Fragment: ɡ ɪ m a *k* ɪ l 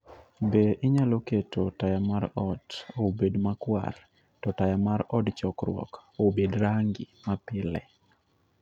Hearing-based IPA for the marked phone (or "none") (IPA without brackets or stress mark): p